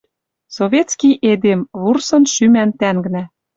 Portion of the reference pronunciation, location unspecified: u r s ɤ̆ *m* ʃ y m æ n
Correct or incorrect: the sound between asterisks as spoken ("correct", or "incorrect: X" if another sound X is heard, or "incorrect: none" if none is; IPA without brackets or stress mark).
incorrect: n